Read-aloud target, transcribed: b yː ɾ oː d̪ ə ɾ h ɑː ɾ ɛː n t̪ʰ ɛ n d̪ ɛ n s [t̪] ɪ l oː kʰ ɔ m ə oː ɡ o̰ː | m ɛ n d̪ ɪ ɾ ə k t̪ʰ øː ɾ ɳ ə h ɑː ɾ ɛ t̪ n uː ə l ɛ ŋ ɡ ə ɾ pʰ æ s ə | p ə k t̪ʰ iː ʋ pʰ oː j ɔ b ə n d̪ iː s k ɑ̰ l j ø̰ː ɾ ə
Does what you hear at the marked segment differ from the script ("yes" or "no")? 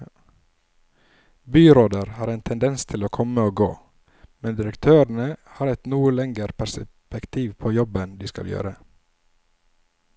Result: yes